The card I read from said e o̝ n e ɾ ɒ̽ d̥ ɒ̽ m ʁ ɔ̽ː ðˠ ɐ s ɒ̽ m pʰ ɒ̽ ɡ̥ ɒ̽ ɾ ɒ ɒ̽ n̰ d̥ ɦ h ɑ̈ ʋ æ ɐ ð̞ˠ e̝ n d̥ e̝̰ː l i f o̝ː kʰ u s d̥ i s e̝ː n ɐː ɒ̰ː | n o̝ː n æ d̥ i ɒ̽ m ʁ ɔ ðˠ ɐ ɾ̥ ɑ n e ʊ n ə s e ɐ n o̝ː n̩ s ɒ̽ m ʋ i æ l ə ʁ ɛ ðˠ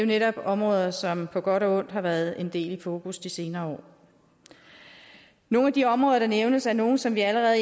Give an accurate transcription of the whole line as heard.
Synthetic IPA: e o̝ n e ɾ ɒ̽ b̥ ɒ̽ m ʁ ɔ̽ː ðˠ ɐ s ɒ̽ m pʰ ɒ̽ ɡ̥ ɒ̽ ɾ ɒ ɔ̽ n̰ d̥ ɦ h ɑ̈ ʋ æ ɐ ð̞ˠ e̝ n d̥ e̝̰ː l i f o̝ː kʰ u s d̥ i s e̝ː n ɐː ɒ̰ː | n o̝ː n æ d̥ i ɒ̽ m ʁ ɔ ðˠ ɐ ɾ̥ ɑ n e ʊ n ə s æ ɐ n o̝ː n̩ s ɒ̽ m ʋ i æ l ə ʁ ɛ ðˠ